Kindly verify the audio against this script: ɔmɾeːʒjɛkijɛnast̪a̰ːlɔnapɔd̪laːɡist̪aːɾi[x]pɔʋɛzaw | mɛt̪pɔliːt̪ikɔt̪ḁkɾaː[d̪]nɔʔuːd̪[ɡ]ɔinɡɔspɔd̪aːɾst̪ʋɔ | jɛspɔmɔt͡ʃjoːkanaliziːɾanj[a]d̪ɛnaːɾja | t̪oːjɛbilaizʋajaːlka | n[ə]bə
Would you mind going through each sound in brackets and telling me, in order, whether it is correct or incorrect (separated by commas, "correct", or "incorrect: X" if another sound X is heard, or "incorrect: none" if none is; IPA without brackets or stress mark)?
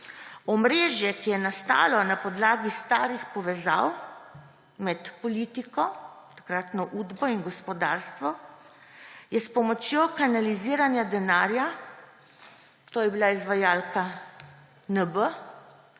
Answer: correct, incorrect: t̪, incorrect: b, correct, correct